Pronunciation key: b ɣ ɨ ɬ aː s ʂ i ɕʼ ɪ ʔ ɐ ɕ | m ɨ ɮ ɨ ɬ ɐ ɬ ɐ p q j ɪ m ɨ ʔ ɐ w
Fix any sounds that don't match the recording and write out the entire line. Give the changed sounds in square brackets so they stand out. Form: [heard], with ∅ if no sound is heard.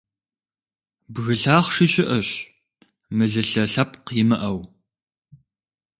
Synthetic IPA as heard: b ɣ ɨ ɬ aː [χ] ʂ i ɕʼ ɪ ʔ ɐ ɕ | m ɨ ɮ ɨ ɬ ɐ ɬ ɐ p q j ɪ m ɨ ʔ ɐ w